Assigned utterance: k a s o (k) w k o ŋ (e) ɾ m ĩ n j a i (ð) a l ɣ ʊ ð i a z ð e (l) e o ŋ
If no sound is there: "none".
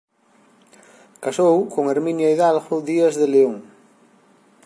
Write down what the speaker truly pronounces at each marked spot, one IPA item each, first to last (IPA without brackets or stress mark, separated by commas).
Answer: none, e, ð, l